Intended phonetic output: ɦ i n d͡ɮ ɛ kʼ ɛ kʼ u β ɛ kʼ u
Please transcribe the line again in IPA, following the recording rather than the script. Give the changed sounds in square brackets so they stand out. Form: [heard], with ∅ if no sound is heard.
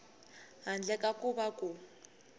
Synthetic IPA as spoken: ɦ [a] n d͡ɮ ɛ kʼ [a] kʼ u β [a] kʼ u